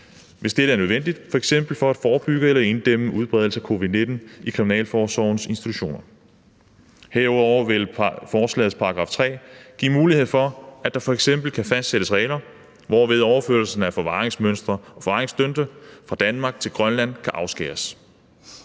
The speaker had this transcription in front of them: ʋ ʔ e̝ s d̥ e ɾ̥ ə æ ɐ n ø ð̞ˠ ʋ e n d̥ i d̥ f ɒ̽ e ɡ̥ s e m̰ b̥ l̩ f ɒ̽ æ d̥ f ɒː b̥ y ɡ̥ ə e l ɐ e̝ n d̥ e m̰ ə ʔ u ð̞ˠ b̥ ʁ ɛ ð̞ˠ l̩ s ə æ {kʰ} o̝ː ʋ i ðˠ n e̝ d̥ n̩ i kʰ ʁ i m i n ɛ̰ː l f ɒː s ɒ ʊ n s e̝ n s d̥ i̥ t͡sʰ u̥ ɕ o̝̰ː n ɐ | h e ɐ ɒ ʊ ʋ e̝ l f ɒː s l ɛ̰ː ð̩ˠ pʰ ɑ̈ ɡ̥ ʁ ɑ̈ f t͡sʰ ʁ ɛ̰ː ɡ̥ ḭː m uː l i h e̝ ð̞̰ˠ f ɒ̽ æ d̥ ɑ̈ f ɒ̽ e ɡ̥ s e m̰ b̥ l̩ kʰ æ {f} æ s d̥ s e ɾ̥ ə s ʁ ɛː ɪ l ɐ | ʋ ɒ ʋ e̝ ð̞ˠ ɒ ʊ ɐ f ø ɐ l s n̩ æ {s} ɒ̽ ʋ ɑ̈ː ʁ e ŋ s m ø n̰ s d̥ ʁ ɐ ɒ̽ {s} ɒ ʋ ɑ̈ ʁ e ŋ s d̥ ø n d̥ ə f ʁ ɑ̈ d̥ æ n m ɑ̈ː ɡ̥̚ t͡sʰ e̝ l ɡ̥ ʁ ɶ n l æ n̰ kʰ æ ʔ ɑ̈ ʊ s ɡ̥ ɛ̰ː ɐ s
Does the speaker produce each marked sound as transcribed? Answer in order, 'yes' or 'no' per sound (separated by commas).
yes, yes, no, no